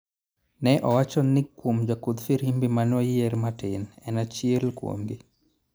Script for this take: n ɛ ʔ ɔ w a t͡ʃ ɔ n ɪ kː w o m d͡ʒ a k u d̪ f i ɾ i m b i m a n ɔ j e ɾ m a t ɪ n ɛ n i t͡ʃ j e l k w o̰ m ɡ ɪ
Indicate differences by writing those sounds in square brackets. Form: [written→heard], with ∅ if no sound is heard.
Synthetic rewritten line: n ɛ ʔ ɔ w a t͡ʃ ɔ n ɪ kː w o m d͡ʒ a k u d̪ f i ɾ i m b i m a n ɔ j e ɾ m a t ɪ n ɛ n [i→a] t͡ʃ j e l k w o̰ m ɡ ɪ

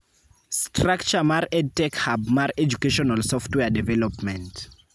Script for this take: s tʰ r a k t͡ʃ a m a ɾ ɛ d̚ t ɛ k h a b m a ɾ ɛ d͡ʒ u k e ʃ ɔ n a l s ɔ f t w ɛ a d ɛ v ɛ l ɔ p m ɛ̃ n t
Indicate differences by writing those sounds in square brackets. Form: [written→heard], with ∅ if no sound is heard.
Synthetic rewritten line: s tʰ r a k t͡ʃ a m a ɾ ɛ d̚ t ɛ k h a b m a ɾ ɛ d͡ʒ u k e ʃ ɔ n a l s ɔ f t w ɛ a d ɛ v ɛ l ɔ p m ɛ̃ n t

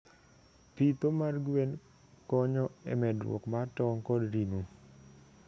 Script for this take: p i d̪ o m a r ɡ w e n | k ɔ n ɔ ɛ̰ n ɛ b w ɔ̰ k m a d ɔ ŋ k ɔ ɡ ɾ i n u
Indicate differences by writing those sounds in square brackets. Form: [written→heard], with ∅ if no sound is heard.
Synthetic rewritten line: p i [d̪→t̪] o m a r ɡ w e n | k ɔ [n→ɲ] ɔ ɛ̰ [n→m] ɛ [b→d] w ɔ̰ k m a [d→t] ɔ ŋ k ɔ [ɡ→d] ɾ i n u

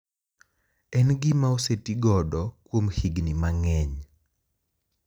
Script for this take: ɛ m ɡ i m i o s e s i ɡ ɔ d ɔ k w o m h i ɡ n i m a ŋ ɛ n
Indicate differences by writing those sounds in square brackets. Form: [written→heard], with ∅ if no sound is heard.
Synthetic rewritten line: ɛ [m→n] ɡ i m [i→a] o s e [s→t] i ɡ ɔ d ɔ k w o m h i ɡ n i m a ŋ ɛ [n→ɲ]

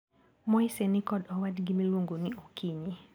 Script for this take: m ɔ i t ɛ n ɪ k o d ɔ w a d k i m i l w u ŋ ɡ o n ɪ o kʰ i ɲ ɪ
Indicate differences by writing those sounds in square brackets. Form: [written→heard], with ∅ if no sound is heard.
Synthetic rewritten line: m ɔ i [t→s] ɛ n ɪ k [o→ɔ] d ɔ w a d [k→ɡ] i m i l w [u→o] ŋ ɡ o n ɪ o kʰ i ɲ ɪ

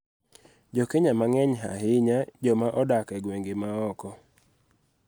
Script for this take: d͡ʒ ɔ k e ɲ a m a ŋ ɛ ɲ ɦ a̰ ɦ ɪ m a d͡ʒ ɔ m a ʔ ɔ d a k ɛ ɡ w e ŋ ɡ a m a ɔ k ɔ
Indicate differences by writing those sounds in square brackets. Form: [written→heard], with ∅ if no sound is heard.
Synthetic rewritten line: d͡ʒ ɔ k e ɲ a m a ŋ ɛ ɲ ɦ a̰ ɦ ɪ [m→ɲ] a d͡ʒ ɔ m a ʔ ɔ d a k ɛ ɡ w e ŋ ɡ [a→e] m a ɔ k ɔ

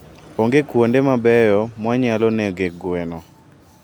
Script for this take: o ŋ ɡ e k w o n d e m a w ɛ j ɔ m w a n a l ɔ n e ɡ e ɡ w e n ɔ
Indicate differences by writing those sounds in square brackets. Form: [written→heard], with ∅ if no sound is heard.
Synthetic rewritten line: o ŋ ɡ e k w o n d e m a [w→b] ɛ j ɔ m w a [n→ɲ] a l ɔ n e ɡ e ɡ w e n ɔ

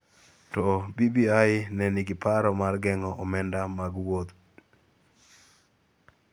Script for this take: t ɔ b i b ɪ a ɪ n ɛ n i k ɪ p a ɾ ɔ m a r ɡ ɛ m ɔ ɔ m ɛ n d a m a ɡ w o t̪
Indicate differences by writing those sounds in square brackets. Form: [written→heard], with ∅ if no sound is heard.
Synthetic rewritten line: t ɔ b i b [ɪ→i] a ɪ n ɛ n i [k→ɡ] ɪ p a ɾ ɔ m a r ɡ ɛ [m→ŋ] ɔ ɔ m ɛ n d a m a ɡ w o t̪

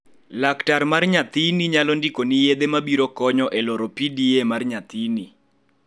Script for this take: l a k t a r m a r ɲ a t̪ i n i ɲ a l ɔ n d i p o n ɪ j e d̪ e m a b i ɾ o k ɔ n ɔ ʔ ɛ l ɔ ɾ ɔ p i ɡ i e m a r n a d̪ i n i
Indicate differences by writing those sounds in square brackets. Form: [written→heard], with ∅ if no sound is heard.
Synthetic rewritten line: l a k t a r m a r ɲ a t̪ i n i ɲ a l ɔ n d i [p→k] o n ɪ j e d̪ e m a b i ɾ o k ɔ [n→ɲ] ɔ ʔ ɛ l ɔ ɾ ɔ p i [ɡ→d] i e m a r [n→ɲ] a [d̪→t̪] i n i

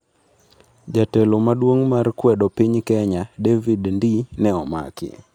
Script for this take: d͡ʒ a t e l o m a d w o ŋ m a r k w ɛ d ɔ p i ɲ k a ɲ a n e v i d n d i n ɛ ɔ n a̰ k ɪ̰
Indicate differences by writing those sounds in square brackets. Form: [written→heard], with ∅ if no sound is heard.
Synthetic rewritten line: d͡ʒ a t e l o m a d w o ŋ m a r k w ɛ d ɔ p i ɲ k [a→ɛ] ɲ a [n→d] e v i d n d i n ɛ ɔ [n→m] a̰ k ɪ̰

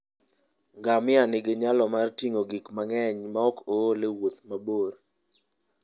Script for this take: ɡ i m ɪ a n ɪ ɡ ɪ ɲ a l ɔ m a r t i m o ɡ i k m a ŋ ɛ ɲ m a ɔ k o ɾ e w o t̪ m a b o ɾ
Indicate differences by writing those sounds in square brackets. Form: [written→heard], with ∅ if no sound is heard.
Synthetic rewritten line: ɡ [i→a] m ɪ a n ɪ ɡ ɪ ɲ a l ɔ m a r t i [m→ŋ] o ɡ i k m a ŋ ɛ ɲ m a ɔ k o [ɾ→l] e w o t̪ m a b o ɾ

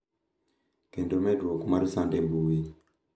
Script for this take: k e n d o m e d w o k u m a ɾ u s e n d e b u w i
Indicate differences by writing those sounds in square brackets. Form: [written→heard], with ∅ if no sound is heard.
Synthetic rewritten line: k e n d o m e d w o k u m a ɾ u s [e→a] n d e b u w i

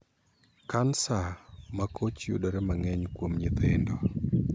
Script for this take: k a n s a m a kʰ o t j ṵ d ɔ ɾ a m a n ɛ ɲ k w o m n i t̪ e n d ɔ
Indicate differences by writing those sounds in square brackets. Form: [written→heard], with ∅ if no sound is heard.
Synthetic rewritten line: k a n s a m a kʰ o [t→t͡ʃ] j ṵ d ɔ ɾ [a→ɛ] m a [n→ŋ] ɛ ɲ k w o m [n→ɲ] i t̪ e n d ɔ

